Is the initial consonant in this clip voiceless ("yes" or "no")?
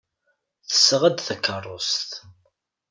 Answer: yes